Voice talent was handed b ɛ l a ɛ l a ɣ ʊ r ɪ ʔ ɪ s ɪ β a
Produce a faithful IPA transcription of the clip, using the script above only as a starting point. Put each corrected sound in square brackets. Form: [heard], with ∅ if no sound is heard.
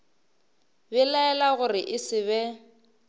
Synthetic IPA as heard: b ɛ l a ɛ l a ɣ ʊ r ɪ ʔ ɪ s ɪ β [ɛ]